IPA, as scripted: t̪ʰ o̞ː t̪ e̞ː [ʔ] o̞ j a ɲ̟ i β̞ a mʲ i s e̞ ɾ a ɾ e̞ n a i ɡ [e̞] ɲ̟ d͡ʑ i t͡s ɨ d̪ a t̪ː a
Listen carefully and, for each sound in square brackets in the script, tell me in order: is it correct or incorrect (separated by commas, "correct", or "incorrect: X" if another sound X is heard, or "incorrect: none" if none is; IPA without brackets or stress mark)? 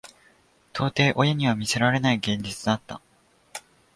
correct, incorrect: ẽ̞